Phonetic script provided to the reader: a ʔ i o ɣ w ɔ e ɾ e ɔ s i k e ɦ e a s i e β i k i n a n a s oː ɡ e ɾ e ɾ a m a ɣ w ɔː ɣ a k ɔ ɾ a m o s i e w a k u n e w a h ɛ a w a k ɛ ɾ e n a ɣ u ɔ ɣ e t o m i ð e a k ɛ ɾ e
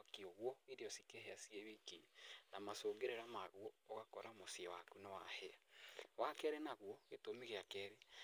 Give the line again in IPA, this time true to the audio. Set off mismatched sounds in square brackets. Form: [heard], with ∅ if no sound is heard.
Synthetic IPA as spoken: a [k] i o ɣ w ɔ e ɾ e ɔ s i k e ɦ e a s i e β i k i n a [m] a s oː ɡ e ɾ e ɾ a m a ɣ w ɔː ɣ a k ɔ ɾ a m o s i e w a k u n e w a h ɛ a w a k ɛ ɾ e n a ɣ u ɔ ɣ e t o m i [ɣ] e a k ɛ ɾ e